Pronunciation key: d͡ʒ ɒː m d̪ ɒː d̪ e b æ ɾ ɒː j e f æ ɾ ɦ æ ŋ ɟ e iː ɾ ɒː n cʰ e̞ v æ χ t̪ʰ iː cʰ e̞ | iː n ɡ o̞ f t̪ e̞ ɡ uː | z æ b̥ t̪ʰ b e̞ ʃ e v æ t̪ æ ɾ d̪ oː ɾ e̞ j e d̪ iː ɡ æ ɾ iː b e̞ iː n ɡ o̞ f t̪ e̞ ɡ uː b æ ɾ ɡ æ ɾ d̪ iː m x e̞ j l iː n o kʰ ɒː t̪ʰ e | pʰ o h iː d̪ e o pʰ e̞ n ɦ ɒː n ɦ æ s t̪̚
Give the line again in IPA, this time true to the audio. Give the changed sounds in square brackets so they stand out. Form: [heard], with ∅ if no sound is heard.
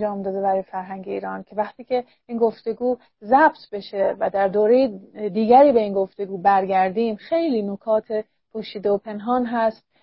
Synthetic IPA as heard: d͡ʒ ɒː m d̪ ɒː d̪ e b æ ɾ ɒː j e f æ ɾ ɦ æ ŋ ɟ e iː ɾ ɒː n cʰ e̞ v æ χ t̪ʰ iː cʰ e̞ | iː n ɡ o̞ f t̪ e̞ ɡ uː | z æ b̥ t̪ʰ b e̞ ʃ e v æ [d̪] æ ɾ d̪ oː ɾ e̞ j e d̪ iː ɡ æ ɾ iː b e̞ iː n ɡ o̞ f t̪ e̞ ɡ uː b æ ɾ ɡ æ ɾ d̪ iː m x e̞ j l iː n o kʰ ɒː t̪ʰ e | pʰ o [ʃ] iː d̪ e o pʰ e̞ n ɦ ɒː n ɦ æ s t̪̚